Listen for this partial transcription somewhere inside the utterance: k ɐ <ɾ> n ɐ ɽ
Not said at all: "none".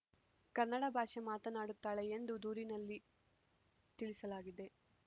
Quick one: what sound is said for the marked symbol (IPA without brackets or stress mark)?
ɾ